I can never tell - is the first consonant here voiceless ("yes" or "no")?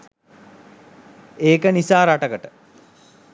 yes